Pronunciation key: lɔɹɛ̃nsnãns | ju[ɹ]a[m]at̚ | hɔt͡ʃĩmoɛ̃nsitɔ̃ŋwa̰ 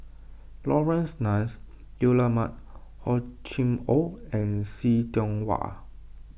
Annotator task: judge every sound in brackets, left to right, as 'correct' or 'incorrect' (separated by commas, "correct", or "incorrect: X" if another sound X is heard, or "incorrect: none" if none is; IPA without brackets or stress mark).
incorrect: l, correct